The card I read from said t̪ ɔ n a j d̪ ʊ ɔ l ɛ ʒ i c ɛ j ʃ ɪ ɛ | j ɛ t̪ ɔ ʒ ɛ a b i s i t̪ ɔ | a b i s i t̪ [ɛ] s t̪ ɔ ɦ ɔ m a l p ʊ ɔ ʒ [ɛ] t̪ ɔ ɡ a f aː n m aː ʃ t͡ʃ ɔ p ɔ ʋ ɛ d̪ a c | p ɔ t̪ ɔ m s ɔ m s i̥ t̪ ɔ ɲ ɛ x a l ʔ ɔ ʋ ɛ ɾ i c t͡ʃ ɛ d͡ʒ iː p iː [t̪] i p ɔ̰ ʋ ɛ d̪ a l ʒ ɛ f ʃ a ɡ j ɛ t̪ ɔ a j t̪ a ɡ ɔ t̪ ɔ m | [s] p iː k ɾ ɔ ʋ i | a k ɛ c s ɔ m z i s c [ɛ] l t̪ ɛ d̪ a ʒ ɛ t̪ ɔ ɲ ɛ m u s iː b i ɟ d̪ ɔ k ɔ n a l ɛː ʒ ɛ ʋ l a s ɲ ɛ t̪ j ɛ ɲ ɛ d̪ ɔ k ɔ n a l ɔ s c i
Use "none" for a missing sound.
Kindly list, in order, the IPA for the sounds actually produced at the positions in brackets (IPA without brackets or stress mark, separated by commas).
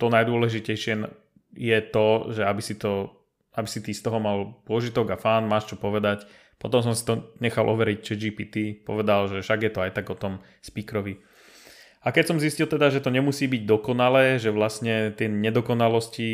i, i, t̪, s, i